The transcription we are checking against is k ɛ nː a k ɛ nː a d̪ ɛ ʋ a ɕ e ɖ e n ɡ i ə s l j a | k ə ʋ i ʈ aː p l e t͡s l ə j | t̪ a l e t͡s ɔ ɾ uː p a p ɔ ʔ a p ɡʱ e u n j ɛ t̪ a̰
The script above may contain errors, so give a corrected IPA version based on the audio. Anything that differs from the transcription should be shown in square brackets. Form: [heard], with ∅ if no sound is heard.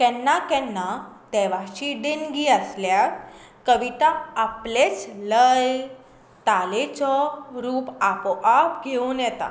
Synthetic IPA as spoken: k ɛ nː a k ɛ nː a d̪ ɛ ʋ a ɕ [i] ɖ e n ɡ i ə s l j a | k ə ʋ i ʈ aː p l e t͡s l ə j | t̪ a l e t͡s ɔ ɾ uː p a p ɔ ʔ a p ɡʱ e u n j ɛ t̪ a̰